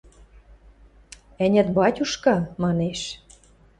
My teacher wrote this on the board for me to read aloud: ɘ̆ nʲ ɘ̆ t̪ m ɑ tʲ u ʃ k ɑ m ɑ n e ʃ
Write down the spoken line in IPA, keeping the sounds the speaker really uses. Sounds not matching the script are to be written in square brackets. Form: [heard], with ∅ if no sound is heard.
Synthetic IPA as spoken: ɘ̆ nʲ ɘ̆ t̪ [b] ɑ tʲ u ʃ k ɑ m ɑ n e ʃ